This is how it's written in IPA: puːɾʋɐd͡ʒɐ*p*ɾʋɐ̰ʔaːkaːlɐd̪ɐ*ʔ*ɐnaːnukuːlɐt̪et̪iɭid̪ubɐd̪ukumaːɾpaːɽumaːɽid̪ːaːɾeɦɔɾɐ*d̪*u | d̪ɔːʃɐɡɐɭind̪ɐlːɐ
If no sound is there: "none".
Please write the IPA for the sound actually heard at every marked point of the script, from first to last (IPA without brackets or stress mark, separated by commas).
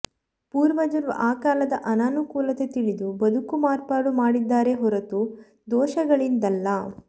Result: none, ʔ, t̪